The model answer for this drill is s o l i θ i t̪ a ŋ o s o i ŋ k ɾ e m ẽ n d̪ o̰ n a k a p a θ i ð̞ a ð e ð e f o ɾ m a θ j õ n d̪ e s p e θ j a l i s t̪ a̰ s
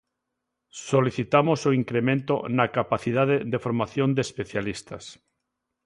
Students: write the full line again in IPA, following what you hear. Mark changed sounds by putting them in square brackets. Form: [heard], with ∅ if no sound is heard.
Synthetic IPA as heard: s o l i θ i t̪ a [m] o s o i ŋ k ɾ e m ẽ n [t̪] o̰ n a k a p a θ i ð̞ a ð e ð e f o ɾ m a θ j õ n d̪ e s p e θ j a l i s t̪ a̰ s